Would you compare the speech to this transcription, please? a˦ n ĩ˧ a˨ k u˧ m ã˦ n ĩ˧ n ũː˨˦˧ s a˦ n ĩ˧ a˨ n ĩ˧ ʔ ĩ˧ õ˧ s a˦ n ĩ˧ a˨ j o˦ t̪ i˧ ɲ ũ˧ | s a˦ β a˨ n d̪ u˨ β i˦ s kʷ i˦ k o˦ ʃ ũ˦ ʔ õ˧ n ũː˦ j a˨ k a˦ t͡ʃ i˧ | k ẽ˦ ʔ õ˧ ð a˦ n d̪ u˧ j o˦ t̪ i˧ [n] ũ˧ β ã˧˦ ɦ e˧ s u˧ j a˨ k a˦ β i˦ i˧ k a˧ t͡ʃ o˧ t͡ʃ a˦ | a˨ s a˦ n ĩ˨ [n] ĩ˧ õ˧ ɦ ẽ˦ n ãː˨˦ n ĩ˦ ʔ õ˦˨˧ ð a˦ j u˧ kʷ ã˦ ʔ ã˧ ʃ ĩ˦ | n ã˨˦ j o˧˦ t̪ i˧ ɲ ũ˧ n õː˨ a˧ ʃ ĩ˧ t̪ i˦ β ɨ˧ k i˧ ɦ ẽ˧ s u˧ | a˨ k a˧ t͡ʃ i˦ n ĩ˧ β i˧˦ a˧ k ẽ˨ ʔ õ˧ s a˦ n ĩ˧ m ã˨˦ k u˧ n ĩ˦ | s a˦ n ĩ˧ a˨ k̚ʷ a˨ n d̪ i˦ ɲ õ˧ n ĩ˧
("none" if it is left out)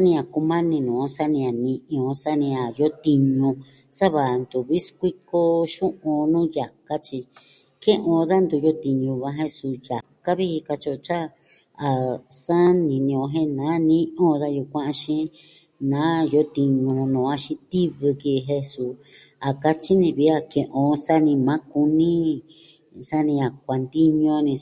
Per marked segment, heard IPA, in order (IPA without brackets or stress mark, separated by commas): ɲ, n